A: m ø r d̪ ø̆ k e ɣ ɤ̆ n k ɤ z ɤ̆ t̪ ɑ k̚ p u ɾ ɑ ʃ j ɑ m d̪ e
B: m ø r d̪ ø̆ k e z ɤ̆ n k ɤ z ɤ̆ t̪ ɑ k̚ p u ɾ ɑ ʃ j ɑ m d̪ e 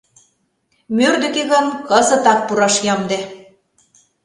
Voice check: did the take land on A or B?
A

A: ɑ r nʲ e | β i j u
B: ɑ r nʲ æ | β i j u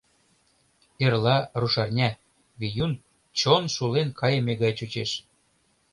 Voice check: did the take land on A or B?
B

